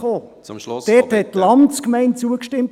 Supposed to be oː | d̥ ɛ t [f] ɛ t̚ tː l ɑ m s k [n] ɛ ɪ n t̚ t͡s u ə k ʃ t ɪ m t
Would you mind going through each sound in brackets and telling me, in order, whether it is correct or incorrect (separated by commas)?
incorrect, incorrect